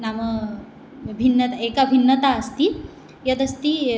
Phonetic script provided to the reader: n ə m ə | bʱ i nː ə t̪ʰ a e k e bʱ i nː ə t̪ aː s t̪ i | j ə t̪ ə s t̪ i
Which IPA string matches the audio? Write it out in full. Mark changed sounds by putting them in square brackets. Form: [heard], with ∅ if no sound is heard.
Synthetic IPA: n [a] m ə | bʱ i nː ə [t̪] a e k [a] bʱ i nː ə t̪ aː s t̪ i | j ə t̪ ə s t̪ i